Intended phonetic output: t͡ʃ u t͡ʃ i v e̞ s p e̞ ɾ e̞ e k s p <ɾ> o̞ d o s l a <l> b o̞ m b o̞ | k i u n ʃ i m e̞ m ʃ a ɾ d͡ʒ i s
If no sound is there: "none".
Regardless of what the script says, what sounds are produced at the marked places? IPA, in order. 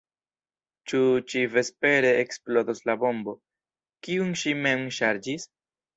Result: l, none

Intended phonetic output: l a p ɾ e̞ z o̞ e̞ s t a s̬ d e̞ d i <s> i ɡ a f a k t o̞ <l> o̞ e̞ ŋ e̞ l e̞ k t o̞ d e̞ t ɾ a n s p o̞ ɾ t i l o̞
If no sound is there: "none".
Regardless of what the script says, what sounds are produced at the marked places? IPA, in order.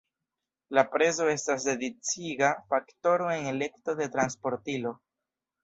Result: t͡s, ɾ

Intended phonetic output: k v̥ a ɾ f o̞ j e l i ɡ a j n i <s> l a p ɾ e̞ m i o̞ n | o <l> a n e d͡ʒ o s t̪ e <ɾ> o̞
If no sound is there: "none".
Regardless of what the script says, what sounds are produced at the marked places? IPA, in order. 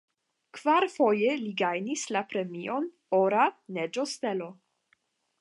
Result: s, ɾ, l

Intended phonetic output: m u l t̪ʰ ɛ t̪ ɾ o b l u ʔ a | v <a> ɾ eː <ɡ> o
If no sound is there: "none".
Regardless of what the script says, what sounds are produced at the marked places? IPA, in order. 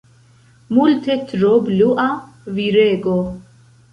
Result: i, ɡ

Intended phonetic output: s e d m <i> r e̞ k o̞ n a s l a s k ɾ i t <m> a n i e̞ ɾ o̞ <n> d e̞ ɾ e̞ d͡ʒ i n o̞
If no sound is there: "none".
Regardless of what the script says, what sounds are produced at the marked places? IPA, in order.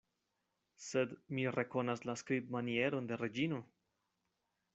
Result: i, m, n

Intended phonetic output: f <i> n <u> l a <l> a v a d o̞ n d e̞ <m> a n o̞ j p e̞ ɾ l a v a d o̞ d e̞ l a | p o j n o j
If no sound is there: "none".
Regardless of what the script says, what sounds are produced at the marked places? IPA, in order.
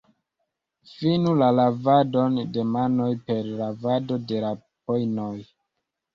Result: i, u, l, m

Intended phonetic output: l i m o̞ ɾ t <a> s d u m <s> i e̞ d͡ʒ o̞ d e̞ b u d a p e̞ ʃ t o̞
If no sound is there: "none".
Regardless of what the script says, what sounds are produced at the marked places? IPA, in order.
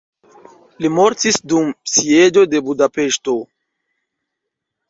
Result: i, s

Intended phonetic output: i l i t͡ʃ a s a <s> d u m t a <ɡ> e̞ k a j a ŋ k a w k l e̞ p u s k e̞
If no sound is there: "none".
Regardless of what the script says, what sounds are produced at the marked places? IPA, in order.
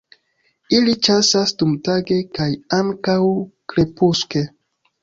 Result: s, ɡ

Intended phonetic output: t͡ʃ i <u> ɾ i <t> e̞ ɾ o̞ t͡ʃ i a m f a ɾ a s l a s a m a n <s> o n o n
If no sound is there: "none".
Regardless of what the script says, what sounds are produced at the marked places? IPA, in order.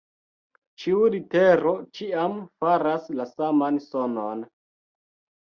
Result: u, t, s

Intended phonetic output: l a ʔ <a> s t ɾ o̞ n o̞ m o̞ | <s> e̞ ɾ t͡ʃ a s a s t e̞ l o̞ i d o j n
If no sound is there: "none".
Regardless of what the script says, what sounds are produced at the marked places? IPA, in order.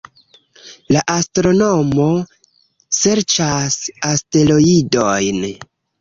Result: a, s

